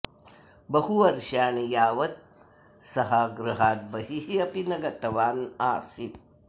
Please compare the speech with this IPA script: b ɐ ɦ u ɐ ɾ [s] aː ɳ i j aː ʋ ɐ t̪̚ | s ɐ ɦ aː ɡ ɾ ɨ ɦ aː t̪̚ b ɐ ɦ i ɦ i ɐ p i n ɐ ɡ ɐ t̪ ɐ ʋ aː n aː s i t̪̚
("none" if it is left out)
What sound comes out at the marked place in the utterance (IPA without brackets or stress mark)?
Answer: ʃ